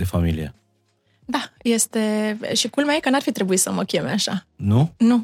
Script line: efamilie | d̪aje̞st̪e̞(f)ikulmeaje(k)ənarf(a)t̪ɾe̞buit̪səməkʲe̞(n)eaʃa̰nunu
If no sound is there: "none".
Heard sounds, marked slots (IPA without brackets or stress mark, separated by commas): ʃ, k, i, m